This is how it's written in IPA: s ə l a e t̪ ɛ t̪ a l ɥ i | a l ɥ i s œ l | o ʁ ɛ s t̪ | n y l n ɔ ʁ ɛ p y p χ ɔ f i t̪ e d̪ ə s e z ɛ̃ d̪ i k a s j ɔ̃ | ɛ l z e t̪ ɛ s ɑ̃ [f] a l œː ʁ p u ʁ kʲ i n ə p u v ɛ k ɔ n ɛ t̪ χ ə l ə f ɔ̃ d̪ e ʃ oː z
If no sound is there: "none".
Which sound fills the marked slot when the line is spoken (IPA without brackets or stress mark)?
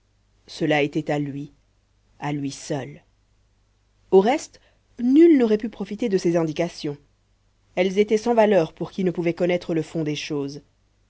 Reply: v